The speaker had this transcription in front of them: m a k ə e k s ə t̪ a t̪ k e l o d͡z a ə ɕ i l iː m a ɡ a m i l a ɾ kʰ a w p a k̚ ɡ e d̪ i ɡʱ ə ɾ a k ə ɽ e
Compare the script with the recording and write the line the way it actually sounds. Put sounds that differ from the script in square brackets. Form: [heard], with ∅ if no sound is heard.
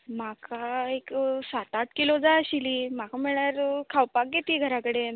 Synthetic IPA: m a k [a] e k s [a] t̪ a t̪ k [i] l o d͡z a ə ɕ i l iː m a [k] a m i [ɭ] a ɾ kʰ a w p a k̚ ɡ e [t̪] i ɡʱ ə ɾ a k ə ɽ e